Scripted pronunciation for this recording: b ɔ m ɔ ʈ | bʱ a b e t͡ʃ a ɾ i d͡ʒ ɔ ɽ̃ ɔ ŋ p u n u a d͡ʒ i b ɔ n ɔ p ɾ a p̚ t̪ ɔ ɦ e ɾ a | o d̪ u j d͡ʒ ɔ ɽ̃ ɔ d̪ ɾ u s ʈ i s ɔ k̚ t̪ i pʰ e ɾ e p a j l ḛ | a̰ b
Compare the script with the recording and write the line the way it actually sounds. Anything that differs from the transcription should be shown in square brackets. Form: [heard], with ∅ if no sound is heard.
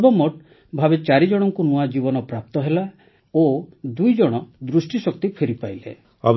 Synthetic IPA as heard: b ɔ m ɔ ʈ | bʱ a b e t͡ʃ a ɾ i d͡ʒ ɔ ɽ̃ ɔ ŋ [k] u n u a d͡ʒ i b ɔ n ɔ p ɾ a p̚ t̪ ɔ ɦ e [l] a | o d̪ u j d͡ʒ ɔ ɽ̃ ɔ d̪ ɾ u s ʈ i s ɔ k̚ t̪ i pʰ e ɾ [i] p a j l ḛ | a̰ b

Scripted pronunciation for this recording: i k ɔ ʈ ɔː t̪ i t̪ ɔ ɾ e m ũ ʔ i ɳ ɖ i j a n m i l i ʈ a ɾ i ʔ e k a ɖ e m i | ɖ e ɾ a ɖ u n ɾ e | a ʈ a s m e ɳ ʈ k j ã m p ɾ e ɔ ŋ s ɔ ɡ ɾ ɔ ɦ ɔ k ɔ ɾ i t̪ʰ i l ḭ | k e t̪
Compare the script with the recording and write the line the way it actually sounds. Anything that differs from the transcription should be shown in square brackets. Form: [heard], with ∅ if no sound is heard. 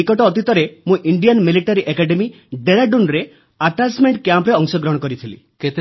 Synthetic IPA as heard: i k ɔ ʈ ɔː t̪ i t̪ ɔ ɾ e m ũ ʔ i ɳ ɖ i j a n m i l i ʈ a ɾ i ʔ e k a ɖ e m i | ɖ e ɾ a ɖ u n ɾ e | a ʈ a s m e ɳ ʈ k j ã m p ɾ e ɔ ŋ s ɔ ɡ ɾ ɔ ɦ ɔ k ɔ ɾ i t̪ʰ i l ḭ | k e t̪

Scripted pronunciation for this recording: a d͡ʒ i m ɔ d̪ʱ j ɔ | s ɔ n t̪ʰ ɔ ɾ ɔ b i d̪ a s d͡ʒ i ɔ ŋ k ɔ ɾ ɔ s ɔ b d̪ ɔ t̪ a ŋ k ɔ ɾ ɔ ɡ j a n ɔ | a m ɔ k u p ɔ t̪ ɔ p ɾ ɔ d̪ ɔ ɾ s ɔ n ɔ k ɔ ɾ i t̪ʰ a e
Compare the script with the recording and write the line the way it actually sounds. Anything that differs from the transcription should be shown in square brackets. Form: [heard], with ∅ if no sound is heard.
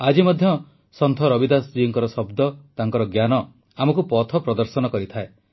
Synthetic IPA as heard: a d͡ʒ i m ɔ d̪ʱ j ɔ | s ɔ n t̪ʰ ɔ ɾ ɔ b i d̪ a s d͡ʒ i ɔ ŋ k ɔ ɾ ɔ s ɔ b d̪ ɔ t̪ a ŋ k ɔ ɾ ɔ ɡ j a n ɔ | a m ɔ k u p ɔ [t̪ʰ] ɔ p ɾ ɔ d̪ ɔ ɾ s ɔ n ɔ k ɔ ɾ i t̪ʰ a e

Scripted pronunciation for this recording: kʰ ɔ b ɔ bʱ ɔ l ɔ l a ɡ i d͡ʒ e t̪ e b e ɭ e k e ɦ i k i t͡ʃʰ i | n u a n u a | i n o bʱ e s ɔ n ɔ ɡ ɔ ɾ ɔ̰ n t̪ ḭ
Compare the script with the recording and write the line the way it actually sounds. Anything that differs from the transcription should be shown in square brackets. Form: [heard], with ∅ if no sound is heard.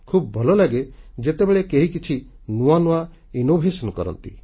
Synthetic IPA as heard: kʰ [u] b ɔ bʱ ɔ l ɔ l a ɡ [e] d͡ʒ e t̪ e b e ɭ e k e ɦ i k i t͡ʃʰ i | n u a n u a | i n o bʱ e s ɔ n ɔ [k] ɔ ɾ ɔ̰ n t̪ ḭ

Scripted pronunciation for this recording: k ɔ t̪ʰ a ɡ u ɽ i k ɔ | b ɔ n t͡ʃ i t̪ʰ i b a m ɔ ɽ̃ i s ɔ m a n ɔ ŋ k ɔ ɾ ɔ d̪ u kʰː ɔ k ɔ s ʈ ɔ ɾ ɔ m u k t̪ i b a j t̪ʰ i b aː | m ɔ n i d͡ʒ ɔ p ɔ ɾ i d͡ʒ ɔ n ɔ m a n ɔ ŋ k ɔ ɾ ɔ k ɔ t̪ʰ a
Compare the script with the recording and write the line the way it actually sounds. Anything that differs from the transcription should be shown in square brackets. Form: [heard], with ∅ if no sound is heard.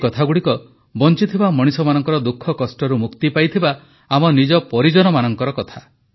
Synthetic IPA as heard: k ɔ t̪ʰ a ɡ u ɽ i k ɔ | b ɔ n t͡ʃ i t̪ʰ i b a m ɔ ɽ̃ i s ɔ m a n ɔ ŋ k ɔ ɾ ɔ d̪ u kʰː ɔ k ɔ s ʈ ɔ ɾ [u] m u k t̪ i [p] a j t̪ʰ i b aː | m ɔ n i d͡ʒ ɔ p ɔ ɾ i d͡ʒ ɔ n ɔ m a n ɔ ŋ k ɔ ɾ ɔ k ɔ t̪ʰ a

